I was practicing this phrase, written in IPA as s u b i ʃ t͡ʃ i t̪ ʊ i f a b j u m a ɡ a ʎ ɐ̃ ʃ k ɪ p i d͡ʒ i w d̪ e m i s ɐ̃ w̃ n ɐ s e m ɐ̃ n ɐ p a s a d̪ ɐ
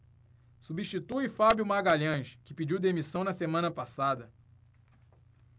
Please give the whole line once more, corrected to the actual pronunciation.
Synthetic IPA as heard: s u b i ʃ t͡ʃ i t̪ u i f a b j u m a ɡ a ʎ ɐ̃ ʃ k ɪ p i d͡ʒ i w d̪ e m i s ɐ̃ w̃ n ɐ s e m ɐ̃ n ɐ p a s a d̪ ɐ